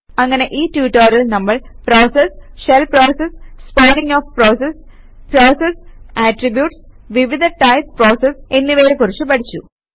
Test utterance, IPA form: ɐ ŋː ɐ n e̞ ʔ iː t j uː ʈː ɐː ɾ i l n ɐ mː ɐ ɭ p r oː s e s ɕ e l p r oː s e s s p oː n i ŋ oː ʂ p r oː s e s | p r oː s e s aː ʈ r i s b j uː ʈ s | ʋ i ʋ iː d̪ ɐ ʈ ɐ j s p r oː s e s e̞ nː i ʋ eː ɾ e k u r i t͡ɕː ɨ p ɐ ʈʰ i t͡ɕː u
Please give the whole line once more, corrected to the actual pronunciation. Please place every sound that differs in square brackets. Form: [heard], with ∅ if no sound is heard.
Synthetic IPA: ɐ ŋː ɐ n e̞ ʔ iː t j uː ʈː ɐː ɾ i l n ɐ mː ɐ ɭ p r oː s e s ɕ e l p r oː s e s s p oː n i ŋ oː [f] p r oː s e s | p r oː s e s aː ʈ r i [∅] b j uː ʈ s | ʋ i ʋ [i] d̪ ɐ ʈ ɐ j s p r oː s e s e̞ nː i ʋ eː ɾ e k u r i t͡ɕː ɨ p ɐ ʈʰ i t͡ɕː u